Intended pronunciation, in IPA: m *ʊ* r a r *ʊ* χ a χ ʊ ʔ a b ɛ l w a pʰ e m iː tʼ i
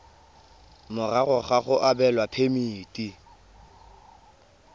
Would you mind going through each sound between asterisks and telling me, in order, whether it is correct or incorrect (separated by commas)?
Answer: correct, correct